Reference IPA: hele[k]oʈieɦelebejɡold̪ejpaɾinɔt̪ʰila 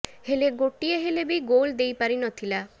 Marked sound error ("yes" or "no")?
yes